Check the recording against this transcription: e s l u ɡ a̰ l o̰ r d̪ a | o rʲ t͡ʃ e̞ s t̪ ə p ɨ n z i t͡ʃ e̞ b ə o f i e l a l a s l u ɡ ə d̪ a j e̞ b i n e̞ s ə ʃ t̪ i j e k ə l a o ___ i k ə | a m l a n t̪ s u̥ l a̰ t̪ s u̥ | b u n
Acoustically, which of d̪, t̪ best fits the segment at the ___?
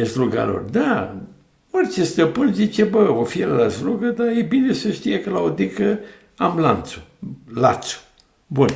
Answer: d̪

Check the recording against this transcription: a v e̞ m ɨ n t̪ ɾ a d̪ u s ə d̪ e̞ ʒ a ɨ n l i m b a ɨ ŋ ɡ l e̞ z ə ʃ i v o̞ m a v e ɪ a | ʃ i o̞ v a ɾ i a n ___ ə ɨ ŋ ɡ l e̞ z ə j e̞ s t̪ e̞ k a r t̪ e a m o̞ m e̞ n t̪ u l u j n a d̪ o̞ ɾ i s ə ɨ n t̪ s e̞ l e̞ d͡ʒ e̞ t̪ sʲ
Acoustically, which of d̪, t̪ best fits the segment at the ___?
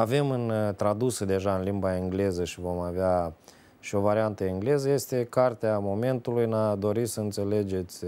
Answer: t̪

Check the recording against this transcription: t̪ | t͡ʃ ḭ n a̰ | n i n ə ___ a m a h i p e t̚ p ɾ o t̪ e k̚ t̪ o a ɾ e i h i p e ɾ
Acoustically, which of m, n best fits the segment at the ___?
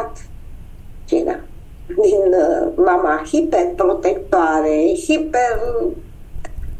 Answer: m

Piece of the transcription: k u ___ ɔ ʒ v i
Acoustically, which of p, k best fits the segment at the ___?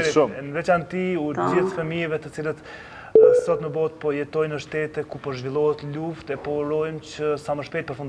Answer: p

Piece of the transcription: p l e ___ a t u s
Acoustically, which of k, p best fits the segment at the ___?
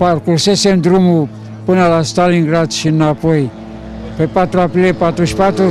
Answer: p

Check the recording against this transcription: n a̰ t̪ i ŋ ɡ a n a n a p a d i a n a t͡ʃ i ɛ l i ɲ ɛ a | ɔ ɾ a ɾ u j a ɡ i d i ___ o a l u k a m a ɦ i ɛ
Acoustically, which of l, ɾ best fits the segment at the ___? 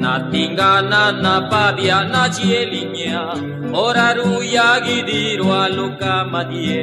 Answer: ɾ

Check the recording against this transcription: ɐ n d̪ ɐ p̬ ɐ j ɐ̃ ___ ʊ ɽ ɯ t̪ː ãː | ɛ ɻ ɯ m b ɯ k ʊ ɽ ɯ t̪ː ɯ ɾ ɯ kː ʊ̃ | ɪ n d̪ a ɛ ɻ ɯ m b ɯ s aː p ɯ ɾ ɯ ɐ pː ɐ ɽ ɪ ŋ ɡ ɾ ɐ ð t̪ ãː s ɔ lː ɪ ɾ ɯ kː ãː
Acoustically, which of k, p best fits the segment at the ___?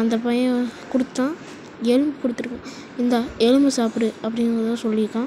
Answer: k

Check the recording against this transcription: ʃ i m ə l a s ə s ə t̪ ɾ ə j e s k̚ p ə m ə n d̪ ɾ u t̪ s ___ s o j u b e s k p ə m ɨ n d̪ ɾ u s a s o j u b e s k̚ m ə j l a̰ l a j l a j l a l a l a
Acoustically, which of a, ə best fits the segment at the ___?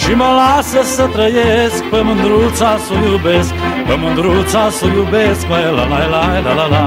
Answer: a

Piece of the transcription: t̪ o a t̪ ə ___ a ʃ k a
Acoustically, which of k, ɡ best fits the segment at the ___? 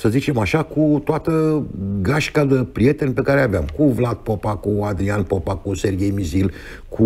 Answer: ɡ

